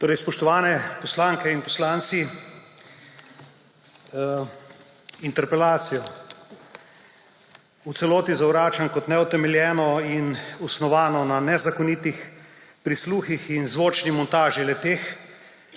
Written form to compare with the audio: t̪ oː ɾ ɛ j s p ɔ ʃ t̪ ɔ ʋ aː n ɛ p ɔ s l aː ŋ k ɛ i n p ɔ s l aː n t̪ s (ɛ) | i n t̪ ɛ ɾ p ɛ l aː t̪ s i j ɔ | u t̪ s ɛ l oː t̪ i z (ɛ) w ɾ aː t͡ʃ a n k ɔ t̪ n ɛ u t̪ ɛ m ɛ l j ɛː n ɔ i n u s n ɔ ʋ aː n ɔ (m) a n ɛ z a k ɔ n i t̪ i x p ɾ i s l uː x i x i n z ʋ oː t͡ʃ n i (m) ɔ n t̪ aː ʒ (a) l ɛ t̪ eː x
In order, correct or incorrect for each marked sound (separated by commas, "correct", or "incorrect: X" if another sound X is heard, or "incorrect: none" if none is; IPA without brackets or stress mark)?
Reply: incorrect: i, incorrect: a, incorrect: n, correct, incorrect: i